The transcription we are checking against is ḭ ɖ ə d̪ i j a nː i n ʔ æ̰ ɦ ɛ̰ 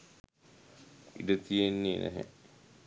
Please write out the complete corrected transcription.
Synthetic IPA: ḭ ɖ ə t̪ i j e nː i n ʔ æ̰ ɦ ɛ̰